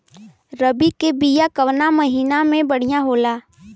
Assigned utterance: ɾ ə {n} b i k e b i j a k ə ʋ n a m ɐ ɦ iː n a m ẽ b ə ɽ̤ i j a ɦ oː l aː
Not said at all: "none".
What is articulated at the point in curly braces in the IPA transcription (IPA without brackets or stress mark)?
none